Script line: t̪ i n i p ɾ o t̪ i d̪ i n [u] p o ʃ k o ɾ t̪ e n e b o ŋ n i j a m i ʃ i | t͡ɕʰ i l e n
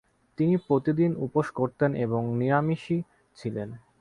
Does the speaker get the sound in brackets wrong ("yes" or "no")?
no